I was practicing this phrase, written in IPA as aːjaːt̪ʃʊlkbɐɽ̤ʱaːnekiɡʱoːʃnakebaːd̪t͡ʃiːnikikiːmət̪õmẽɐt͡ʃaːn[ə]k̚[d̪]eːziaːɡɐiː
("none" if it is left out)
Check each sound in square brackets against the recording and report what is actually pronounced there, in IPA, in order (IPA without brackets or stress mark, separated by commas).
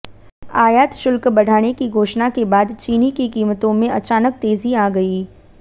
ə, t̪